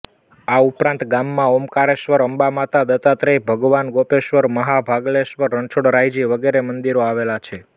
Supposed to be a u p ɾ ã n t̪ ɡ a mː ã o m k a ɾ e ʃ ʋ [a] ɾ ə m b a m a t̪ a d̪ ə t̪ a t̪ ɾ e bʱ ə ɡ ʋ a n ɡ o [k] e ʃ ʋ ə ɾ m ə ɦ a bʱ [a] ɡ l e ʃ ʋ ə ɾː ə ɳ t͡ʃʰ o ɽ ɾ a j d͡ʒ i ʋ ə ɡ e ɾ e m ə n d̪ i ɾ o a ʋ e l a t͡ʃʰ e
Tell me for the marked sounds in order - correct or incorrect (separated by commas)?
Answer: incorrect, incorrect, correct